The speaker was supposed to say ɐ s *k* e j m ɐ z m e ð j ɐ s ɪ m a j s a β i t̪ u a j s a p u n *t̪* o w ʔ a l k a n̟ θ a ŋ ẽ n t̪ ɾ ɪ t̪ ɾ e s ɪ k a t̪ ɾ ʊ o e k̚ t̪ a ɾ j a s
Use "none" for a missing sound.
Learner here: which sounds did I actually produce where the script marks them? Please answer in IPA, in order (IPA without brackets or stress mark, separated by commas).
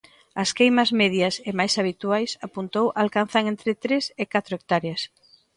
k, t̪